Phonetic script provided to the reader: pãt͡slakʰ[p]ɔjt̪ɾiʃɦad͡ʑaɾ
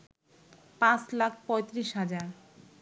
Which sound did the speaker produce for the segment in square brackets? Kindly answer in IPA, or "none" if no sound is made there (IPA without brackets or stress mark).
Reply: p